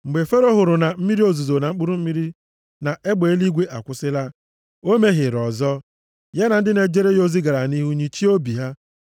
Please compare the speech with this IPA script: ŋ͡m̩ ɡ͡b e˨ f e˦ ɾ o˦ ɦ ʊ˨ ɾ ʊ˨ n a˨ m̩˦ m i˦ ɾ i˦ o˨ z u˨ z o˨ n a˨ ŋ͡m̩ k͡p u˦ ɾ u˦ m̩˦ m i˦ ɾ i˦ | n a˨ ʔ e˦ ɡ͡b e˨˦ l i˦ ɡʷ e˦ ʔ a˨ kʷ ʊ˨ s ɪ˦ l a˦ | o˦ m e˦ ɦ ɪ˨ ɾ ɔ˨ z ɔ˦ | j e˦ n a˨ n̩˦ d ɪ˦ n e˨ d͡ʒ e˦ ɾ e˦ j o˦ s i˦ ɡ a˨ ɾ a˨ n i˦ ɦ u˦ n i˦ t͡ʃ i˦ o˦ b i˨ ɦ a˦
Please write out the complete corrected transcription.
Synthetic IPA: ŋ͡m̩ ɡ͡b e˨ f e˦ ɾ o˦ ɦ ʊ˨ ɾ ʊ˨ n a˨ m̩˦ m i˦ ɾ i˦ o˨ z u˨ z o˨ n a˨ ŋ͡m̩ k͡p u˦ ɾ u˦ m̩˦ m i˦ ɾ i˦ | n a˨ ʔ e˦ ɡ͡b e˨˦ l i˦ ɡʷ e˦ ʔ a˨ kʷ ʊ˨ s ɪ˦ l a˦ | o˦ m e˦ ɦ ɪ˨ ɾ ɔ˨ z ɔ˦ | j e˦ n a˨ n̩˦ d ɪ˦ n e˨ d͡ʒ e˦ ɾ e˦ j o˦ z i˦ ɡ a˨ ɾ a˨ n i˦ ɦ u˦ ɲ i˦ t͡ʃ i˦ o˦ b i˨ ɦ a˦